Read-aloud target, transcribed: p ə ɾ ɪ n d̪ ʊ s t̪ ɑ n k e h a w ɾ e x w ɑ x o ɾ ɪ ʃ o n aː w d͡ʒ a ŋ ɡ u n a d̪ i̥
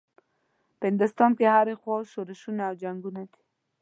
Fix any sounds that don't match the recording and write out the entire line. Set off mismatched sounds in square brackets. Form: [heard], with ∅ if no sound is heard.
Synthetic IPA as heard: p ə [∅] ɪ n d̪ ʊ s t̪ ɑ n k e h a [∅] ɾ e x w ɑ [ʃ] o ɾ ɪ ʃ [u] n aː w d͡ʒ a ŋ ɡ u n a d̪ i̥